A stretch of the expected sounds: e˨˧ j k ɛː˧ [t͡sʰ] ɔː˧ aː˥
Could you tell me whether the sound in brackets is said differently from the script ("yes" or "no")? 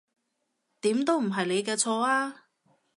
no